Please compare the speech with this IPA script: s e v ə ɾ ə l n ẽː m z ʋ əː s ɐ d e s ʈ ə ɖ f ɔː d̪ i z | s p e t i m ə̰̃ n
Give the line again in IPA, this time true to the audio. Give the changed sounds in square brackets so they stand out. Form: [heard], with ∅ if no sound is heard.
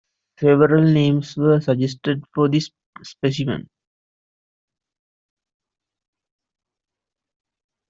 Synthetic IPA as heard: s e [ʋ] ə ɾ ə l n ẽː m [s] ʋ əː s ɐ [d͡ʒ] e s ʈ ə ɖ f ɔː d̪ i [s] | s p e [s] i m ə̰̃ n